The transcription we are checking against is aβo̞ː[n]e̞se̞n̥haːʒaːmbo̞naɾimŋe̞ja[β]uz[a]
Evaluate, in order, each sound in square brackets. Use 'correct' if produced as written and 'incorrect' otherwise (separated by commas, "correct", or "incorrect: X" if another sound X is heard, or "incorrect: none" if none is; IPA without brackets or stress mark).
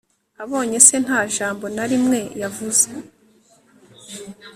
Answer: incorrect: ɲ, incorrect: v, incorrect: e